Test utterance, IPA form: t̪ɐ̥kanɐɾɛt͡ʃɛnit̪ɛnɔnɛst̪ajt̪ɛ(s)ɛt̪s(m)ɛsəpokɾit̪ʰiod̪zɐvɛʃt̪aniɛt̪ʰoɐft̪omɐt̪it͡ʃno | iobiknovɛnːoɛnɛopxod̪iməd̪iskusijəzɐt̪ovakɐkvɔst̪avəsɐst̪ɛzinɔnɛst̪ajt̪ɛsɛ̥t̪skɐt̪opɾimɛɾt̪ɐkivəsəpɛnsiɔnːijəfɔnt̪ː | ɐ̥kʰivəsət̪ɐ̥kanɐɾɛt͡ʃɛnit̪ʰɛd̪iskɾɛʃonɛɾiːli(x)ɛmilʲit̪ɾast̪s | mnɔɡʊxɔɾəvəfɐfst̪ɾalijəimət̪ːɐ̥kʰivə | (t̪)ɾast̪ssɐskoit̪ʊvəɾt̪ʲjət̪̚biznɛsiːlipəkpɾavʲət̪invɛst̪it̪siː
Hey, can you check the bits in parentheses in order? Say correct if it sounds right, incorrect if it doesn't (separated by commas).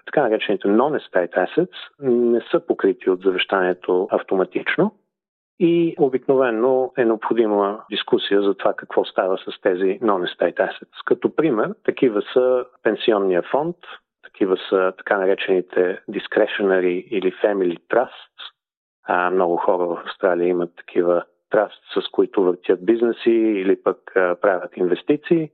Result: correct, incorrect, incorrect, correct